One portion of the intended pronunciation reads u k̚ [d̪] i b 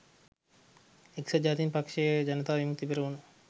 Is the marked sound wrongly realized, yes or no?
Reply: yes